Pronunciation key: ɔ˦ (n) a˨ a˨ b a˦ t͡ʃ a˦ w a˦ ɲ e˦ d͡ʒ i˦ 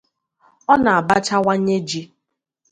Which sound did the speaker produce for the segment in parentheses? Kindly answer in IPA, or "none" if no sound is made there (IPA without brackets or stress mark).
n